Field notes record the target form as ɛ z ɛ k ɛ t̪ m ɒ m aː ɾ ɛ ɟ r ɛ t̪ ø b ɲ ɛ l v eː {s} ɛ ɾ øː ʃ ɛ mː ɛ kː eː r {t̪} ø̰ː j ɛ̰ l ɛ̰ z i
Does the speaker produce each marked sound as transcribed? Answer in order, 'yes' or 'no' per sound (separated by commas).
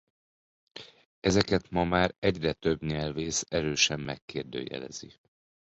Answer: yes, no